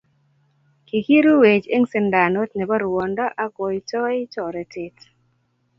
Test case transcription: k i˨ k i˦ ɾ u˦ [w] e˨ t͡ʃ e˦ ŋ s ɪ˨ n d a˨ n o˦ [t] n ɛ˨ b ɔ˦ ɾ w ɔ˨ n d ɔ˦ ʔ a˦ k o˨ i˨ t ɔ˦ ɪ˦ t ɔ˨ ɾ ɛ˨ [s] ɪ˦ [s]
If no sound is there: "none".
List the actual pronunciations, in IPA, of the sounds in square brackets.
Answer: w, t, t, t

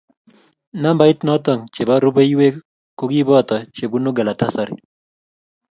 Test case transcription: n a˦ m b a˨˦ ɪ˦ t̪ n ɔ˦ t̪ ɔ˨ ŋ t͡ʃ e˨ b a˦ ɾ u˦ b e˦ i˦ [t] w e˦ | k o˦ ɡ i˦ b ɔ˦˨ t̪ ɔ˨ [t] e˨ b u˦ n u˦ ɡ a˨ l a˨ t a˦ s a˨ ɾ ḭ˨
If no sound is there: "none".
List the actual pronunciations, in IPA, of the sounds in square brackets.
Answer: none, t͡ʃ

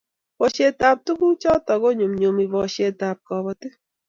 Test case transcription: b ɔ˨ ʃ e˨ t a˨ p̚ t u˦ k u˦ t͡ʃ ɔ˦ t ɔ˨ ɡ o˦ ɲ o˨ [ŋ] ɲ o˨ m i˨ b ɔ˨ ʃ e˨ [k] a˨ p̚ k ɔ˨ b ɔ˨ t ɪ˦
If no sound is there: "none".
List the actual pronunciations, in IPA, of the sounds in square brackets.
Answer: m, t

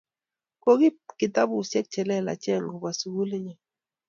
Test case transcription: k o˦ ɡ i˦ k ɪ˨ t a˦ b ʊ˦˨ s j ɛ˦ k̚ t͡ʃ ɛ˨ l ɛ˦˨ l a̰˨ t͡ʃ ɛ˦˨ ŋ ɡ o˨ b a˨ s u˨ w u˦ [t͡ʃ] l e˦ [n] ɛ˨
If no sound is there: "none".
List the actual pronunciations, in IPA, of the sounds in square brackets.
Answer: none, ɲ

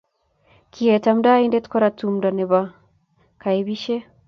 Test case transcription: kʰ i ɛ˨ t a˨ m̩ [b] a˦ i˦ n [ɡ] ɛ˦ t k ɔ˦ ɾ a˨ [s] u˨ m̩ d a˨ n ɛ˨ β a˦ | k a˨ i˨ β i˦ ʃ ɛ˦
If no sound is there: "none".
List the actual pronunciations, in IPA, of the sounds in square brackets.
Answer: d, d, t

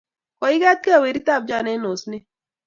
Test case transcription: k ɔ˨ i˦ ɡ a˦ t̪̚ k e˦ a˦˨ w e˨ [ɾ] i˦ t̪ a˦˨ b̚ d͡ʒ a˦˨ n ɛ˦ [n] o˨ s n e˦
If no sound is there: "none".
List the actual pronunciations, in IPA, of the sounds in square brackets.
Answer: ɾ, n

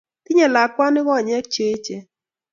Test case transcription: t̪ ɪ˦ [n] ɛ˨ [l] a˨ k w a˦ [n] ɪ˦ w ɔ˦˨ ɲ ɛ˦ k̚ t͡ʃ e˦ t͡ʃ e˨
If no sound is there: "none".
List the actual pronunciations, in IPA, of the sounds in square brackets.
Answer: ɲ, l, n

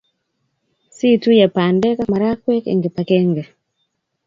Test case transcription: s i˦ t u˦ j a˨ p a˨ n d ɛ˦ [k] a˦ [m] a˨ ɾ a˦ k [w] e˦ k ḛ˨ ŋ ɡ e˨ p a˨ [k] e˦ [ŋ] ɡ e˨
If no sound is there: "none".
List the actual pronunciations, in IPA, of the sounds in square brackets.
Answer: k, m, w, k, ŋ

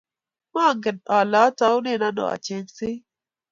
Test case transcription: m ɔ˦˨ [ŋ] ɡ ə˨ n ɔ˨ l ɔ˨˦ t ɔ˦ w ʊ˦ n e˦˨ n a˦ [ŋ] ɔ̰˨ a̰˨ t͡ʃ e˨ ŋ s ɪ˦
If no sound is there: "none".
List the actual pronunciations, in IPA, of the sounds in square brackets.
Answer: ŋ, n

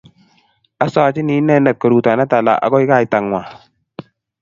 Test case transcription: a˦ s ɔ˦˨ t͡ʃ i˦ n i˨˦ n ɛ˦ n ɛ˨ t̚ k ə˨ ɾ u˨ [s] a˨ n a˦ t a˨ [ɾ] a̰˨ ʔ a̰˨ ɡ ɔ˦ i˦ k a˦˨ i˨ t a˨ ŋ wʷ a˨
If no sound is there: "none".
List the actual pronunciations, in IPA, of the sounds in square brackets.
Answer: t, l

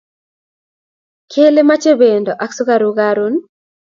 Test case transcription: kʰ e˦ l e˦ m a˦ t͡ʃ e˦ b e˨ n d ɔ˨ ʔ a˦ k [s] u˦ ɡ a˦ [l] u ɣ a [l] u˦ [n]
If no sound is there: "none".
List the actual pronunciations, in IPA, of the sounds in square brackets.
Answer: s, ɾ, ɾ, n

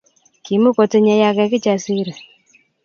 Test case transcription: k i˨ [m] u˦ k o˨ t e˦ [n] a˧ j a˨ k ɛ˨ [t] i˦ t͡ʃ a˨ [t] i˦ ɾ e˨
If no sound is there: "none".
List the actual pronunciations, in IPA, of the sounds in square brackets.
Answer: m, ɲ, k, s

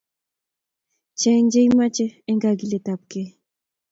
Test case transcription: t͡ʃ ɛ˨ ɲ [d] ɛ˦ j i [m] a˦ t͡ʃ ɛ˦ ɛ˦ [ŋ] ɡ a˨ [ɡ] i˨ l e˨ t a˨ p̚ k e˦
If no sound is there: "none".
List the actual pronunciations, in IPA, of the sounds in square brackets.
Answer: d͡ʒ, m, ŋ, ɡ

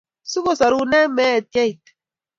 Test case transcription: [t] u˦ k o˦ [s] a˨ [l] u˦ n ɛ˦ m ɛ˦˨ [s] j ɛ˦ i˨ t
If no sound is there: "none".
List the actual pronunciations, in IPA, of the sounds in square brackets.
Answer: s, s, ɾ, t

